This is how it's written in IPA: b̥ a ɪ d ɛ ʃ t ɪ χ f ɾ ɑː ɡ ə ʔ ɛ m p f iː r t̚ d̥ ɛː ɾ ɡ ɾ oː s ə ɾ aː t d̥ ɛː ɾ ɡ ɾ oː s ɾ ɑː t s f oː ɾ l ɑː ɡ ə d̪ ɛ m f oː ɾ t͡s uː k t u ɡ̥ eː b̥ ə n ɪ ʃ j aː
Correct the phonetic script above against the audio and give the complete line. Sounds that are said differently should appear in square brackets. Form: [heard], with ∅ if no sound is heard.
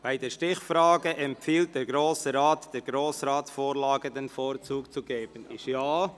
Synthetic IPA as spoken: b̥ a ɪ d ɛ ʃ t ɪ χ f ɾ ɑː ɡ ə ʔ ɛ m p f iː [l] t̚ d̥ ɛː ɾ ɡ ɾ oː s ə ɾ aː t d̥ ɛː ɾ ɡ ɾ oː s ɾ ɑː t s f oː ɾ l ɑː ɡ ə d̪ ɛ [n] f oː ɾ t͡s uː k [t͡s] u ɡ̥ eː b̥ ə n ɪ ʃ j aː